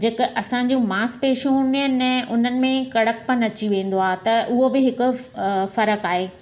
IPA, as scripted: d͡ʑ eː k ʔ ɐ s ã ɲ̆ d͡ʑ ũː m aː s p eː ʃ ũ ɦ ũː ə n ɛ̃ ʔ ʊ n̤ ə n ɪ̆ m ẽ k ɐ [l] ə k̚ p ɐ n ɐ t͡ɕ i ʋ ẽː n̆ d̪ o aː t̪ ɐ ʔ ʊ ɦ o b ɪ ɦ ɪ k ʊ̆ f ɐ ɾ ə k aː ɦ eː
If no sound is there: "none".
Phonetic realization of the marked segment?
ɽ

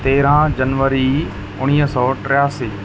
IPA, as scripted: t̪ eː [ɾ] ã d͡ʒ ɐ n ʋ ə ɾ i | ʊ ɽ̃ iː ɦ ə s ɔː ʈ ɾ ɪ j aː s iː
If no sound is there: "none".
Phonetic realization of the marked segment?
ɾ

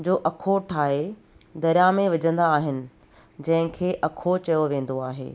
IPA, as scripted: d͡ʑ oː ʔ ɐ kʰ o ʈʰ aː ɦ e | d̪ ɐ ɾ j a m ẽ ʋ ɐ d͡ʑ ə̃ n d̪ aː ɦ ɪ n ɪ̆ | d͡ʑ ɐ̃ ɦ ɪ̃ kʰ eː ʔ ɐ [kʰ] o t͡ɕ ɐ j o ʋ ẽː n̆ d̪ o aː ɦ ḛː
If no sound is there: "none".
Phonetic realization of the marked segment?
kʰ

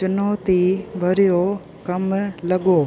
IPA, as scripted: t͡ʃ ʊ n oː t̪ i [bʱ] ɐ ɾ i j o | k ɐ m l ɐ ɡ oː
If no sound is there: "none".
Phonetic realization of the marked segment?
bʱ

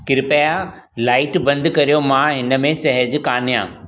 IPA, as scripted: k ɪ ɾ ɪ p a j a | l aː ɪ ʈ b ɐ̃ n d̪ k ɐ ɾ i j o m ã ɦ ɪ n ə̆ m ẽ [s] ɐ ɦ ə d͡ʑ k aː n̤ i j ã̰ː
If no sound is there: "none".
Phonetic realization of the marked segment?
s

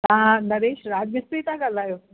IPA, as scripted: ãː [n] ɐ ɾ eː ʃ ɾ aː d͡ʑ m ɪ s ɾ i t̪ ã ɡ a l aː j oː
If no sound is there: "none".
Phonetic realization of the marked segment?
n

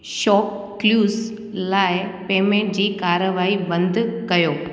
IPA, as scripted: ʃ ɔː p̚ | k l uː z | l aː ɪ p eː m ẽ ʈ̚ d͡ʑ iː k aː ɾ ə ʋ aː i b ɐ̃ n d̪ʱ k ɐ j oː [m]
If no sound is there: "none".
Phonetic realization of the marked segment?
none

